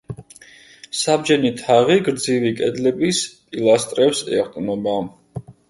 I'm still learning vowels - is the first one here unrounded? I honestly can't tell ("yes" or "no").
yes